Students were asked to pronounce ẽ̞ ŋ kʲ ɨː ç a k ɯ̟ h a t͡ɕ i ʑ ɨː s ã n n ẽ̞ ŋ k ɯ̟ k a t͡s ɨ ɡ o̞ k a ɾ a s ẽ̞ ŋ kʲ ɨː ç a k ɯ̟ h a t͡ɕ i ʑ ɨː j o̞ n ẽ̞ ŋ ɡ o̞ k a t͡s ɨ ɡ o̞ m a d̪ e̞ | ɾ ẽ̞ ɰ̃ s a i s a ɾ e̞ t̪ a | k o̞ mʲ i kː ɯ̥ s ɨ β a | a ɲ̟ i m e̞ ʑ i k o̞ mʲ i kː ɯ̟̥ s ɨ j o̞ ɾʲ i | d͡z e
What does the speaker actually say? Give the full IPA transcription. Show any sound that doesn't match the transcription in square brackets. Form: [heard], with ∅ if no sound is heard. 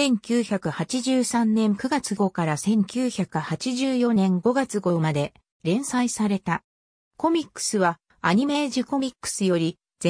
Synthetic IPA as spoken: ẽ̞ ŋ kʲ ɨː ç a k ɯ̟ h a t͡ɕ i ʑ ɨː s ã n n ẽ̞ ŋ k ɯ̟ [ɡ] a t͡s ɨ ɡ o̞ k a ɾ a s ẽ̞ ŋ kʲ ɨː ç a k ɯ̟ h a t͡ɕ i ʑ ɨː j o̞ n ẽ̞ ŋ ɡ o̞ [ɡ] a t͡s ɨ ɡ o̞ m a d̪ e̞ | ɾ ẽ̞ ɰ̃ s a i s a ɾ e̞ t̪ a | k o̞ mʲ i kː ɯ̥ s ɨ β a | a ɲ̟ i m e̞ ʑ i k o̞ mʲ i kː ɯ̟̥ s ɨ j o̞ ɾʲ i | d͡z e